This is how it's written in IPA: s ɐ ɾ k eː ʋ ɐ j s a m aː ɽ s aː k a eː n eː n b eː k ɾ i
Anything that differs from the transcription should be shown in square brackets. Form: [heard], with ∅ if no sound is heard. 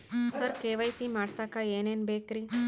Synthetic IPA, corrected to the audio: s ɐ ɾ k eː ʋ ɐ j s [i] m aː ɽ s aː k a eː n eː n b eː k ɾ i